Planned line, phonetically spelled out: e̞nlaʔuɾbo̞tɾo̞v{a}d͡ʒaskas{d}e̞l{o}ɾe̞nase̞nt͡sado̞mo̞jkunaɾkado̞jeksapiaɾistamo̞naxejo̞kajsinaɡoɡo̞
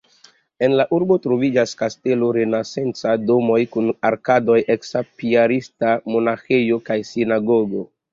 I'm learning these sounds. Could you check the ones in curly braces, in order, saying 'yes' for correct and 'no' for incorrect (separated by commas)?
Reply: no, no, yes